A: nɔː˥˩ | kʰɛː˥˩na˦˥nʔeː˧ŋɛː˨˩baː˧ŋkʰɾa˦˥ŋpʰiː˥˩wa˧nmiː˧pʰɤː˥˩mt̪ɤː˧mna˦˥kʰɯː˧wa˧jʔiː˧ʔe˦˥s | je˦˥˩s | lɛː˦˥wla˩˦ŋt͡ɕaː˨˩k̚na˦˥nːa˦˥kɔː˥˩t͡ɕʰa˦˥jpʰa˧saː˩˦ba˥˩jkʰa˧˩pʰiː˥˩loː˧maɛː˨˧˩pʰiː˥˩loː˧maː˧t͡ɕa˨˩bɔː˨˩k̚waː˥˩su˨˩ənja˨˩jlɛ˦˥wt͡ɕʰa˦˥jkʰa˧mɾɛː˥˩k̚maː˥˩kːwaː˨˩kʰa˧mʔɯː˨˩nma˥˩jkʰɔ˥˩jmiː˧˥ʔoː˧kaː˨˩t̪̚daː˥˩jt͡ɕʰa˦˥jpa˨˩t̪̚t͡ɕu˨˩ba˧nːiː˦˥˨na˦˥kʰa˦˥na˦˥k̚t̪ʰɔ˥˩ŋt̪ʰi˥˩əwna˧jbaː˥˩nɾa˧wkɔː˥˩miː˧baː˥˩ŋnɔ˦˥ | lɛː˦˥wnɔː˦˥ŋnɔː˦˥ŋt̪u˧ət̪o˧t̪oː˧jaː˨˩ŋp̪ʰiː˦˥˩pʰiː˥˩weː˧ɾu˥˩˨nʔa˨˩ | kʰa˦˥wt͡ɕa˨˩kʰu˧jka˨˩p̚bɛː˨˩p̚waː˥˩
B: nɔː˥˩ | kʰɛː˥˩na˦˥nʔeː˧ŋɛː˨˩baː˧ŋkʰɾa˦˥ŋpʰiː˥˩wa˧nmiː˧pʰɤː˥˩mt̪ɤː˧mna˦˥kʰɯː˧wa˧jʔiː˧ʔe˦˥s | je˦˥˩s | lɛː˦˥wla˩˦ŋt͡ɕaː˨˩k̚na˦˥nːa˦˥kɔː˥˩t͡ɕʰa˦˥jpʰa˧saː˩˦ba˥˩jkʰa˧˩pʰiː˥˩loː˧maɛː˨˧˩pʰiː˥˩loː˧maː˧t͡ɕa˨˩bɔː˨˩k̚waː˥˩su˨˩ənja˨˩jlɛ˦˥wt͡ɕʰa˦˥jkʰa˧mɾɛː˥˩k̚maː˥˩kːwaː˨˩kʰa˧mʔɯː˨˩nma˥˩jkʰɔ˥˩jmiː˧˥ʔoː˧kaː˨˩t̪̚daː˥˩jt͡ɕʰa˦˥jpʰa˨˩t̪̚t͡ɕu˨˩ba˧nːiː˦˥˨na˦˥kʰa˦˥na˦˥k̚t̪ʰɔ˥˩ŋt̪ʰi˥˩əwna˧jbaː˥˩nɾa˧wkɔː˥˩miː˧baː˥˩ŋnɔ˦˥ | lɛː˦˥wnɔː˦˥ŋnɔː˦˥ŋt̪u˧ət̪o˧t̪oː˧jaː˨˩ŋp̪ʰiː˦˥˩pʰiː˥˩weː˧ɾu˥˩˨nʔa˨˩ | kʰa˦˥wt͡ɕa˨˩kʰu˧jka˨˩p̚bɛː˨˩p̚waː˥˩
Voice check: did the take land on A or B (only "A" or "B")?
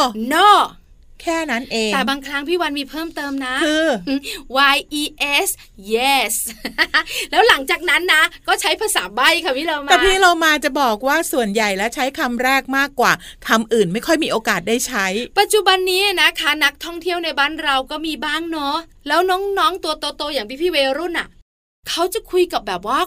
A